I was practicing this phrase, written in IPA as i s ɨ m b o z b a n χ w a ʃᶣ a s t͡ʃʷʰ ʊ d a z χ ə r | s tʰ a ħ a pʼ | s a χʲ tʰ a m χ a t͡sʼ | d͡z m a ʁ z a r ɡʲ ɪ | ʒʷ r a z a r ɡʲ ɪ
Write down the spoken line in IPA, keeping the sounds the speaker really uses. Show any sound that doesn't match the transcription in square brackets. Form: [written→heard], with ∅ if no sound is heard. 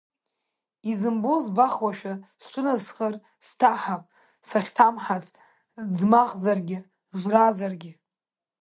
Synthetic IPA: i [s→z] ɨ m b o z b a [n→∅] χ w a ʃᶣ a s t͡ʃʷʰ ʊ [d→n] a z χ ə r | s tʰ a ħ a pʼ | s a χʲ tʰ a m [χ→ħ] a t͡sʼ | d͡z m a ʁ z a r ɡʲ ɪ | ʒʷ r a z a r ɡʲ ɪ